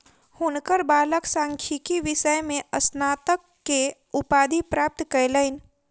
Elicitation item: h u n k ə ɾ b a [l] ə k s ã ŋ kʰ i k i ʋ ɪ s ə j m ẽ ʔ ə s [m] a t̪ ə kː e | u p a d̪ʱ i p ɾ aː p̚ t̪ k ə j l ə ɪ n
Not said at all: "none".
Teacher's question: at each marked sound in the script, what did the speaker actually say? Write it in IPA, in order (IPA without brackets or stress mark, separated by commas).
l, n